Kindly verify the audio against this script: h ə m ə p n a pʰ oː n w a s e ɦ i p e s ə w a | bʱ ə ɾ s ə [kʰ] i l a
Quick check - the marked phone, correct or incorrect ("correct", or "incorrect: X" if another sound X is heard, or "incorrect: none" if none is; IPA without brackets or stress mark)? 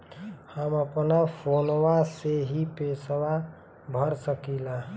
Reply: incorrect: k